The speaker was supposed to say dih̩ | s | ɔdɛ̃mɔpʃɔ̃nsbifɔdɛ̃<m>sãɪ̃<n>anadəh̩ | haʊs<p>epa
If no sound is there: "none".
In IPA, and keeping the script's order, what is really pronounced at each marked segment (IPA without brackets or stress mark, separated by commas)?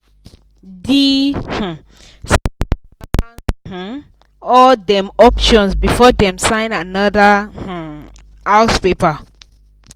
m, n, p